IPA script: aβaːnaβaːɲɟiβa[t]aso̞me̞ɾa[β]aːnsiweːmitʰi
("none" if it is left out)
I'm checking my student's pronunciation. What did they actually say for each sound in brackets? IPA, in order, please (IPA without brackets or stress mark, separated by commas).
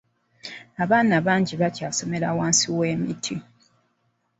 c, w